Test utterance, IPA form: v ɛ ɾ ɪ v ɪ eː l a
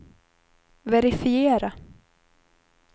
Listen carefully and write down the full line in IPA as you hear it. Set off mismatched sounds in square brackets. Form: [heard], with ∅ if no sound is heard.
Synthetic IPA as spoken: v ɛ ɾ ɪ [f] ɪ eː [ɾ] a